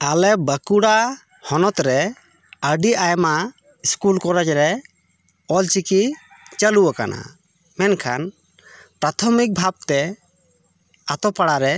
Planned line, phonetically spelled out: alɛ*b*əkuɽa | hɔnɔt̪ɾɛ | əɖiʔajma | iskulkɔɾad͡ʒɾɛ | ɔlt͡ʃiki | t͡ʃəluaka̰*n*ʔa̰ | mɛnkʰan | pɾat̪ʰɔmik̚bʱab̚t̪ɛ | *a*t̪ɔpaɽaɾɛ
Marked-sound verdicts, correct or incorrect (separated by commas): correct, correct, correct